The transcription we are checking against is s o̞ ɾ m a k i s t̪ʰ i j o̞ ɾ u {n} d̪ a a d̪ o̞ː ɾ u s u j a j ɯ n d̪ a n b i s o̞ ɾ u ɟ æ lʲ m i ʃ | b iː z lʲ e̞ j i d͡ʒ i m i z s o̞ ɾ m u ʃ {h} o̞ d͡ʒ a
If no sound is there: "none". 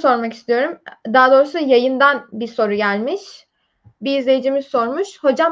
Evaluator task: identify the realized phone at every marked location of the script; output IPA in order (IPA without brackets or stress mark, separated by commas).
m, h